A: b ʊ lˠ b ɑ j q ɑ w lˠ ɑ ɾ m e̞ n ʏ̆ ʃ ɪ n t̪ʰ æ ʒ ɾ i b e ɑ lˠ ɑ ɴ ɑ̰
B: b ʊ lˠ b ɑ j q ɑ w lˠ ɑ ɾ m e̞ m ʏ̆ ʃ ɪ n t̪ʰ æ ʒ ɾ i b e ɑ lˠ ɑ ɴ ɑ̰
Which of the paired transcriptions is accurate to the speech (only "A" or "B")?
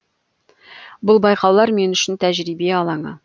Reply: A